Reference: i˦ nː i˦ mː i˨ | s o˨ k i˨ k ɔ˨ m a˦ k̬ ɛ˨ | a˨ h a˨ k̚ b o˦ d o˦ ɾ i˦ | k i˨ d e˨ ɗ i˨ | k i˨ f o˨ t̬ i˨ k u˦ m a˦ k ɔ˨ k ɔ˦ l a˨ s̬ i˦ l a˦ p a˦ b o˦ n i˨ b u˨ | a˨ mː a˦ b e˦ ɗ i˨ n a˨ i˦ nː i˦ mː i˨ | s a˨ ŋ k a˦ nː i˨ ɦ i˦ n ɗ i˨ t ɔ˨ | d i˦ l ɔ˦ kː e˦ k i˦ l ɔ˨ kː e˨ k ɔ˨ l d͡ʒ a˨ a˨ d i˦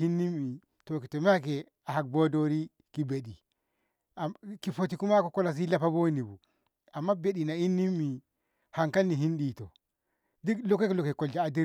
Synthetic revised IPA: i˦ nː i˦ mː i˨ | t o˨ k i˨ t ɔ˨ m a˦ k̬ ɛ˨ | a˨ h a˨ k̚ b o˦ d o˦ ɾ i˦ | k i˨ b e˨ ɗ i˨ | k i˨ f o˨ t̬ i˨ k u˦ m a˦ k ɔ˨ k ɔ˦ l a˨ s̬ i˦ l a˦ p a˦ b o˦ n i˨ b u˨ | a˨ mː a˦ b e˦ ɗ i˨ n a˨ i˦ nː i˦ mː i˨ | h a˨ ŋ k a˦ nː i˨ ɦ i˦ n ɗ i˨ t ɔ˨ | d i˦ l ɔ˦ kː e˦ k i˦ l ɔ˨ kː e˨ k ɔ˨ l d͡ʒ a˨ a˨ d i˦